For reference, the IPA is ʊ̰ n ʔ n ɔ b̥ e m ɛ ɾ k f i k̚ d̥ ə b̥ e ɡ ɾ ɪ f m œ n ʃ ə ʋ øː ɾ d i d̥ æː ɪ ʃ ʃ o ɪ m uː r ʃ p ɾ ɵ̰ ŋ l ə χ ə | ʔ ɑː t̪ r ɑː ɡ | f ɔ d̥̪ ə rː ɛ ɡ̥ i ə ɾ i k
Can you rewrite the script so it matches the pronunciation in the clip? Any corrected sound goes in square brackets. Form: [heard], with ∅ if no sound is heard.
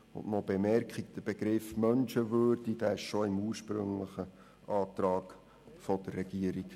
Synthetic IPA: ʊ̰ n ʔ n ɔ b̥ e m ɛ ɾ k [χ] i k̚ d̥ ə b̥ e ɡ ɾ ɪ f m œ n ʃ ə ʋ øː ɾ d i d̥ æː ɪ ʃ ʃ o ɪ m uː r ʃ p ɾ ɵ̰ ŋ l ə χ ə | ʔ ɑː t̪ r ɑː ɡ | f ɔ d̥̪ ə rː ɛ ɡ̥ i ə ɾ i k